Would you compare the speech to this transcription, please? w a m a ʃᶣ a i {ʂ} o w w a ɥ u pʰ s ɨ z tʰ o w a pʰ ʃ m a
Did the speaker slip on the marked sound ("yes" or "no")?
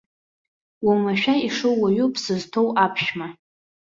no